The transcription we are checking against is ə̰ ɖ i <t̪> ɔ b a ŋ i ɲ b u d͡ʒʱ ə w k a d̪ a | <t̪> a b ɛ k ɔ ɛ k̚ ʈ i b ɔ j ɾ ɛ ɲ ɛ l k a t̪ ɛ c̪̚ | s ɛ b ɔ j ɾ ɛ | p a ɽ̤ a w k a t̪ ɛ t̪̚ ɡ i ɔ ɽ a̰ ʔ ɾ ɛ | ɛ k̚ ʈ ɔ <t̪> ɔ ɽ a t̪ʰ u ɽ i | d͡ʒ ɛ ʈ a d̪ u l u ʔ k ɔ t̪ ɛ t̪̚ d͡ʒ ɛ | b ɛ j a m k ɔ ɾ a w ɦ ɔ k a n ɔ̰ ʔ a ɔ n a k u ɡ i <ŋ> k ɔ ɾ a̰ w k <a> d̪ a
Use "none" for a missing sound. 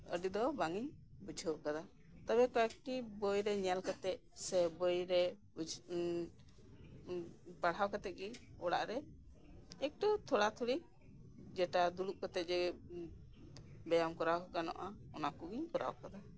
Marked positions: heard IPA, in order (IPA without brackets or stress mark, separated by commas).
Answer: d̪, t̪, t̪ʰ, ɲ, a